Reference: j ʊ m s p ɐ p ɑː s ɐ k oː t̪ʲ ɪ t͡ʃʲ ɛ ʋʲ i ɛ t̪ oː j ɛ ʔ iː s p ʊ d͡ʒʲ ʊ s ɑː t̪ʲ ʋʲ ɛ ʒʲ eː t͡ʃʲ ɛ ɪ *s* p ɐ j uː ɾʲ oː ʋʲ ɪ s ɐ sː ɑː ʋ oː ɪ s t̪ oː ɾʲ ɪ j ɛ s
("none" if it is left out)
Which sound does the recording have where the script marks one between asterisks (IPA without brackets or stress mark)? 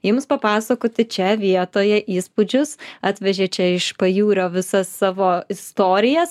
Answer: ʃ